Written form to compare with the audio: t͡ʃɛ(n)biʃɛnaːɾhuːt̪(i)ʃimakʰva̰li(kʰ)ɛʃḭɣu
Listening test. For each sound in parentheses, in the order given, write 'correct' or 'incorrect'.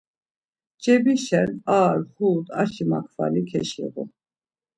incorrect, incorrect, correct

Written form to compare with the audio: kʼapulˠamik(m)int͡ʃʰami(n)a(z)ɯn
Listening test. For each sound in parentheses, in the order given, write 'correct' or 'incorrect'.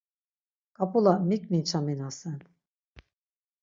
correct, correct, incorrect

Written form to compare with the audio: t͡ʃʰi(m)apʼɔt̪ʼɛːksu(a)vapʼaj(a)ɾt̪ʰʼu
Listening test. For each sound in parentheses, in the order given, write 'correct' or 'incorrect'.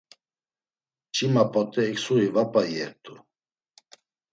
correct, incorrect, incorrect

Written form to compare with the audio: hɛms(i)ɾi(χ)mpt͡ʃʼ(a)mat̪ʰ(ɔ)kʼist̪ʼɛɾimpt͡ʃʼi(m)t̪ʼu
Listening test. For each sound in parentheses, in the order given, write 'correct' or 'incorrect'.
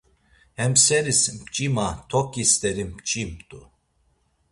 incorrect, incorrect, incorrect, correct, correct

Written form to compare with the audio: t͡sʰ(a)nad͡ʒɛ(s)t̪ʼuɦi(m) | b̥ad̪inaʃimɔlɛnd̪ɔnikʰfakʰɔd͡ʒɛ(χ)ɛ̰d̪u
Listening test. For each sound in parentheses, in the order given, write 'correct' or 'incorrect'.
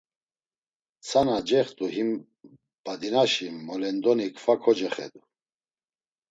correct, incorrect, correct, correct

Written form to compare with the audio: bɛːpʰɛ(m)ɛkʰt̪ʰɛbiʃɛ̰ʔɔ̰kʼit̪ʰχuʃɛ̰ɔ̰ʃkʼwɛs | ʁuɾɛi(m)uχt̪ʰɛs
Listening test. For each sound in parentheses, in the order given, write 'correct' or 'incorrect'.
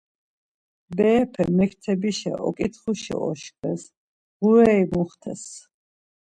correct, correct

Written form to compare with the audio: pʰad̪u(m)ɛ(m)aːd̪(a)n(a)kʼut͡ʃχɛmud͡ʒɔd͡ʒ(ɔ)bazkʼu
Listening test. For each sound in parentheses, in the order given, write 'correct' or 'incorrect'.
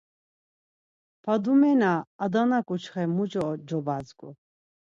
correct, incorrect, correct, correct, correct

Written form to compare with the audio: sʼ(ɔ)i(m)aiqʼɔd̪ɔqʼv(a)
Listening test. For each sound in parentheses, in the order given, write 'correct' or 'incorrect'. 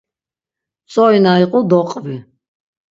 correct, incorrect, incorrect

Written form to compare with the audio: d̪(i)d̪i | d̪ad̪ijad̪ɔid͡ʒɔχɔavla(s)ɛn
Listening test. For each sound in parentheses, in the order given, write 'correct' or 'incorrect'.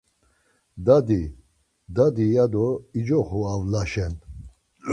incorrect, incorrect

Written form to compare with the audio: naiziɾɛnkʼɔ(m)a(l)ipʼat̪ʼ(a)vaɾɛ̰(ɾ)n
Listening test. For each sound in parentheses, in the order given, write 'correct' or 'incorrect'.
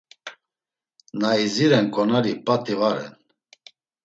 incorrect, incorrect, incorrect, incorrect

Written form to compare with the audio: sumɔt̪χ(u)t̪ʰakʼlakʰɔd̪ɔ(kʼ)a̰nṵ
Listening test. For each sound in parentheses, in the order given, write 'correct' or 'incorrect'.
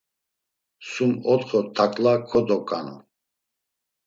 incorrect, correct

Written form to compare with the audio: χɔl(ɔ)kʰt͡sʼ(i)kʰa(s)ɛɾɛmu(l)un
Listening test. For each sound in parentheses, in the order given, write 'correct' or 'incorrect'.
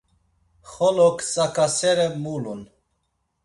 correct, incorrect, correct, correct

